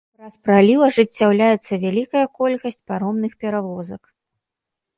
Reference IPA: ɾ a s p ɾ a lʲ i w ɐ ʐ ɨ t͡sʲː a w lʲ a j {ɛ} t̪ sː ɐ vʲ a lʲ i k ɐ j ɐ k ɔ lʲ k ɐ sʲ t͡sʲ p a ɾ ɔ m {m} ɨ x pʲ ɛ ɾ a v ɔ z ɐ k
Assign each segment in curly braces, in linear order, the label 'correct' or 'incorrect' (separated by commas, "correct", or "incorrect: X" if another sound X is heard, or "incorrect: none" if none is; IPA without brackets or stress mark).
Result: correct, incorrect: n